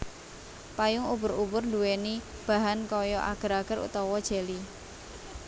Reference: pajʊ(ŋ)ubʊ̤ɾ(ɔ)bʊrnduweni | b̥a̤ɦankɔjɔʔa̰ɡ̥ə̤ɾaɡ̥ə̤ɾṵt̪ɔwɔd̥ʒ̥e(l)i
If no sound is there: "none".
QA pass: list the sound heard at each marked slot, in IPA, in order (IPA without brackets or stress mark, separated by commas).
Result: ŋ, u, l